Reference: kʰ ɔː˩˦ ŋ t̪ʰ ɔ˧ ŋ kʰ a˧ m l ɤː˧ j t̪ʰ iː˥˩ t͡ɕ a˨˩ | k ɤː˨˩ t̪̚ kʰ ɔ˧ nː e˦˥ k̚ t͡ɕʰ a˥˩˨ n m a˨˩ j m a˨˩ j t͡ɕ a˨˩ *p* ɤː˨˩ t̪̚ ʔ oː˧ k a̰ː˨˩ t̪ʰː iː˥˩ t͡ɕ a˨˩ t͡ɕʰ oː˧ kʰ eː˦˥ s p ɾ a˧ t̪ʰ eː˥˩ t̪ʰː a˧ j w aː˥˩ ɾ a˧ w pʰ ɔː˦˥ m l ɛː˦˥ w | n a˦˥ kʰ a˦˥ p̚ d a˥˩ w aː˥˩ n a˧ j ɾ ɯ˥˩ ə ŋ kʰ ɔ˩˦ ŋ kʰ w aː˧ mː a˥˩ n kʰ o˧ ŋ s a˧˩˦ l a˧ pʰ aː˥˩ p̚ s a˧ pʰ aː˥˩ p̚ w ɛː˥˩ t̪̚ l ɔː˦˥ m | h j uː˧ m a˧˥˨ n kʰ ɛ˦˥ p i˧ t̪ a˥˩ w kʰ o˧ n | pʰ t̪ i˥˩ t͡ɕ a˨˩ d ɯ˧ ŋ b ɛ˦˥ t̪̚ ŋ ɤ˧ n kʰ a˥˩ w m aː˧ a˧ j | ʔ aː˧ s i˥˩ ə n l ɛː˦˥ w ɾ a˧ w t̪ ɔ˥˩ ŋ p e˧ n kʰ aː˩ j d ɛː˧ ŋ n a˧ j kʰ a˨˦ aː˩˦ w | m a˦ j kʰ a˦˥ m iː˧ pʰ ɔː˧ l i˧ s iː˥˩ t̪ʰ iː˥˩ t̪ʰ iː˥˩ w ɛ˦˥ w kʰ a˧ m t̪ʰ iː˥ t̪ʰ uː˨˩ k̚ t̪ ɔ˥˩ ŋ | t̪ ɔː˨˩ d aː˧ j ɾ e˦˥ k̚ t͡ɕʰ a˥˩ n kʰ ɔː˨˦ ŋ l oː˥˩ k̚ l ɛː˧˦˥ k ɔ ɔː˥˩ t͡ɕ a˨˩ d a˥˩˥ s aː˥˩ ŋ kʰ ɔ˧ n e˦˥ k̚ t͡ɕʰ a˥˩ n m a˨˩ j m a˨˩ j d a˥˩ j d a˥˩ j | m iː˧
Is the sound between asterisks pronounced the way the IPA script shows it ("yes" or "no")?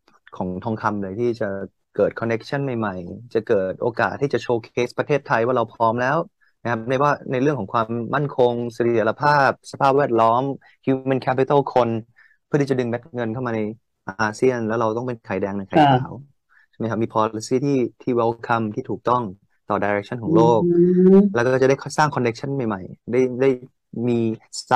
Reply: no